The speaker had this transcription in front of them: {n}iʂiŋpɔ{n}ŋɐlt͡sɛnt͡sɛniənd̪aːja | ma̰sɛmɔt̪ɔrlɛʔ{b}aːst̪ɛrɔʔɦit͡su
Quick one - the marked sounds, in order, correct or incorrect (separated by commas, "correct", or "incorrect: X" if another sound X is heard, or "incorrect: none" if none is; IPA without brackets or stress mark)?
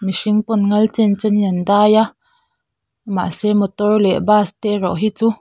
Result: incorrect: m, correct, correct